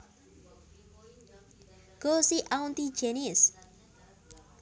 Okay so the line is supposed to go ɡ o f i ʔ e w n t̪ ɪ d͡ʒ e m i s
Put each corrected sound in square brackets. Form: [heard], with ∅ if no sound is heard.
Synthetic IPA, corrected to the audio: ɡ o [s] i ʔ [a] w n t̪ [i] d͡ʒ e [n] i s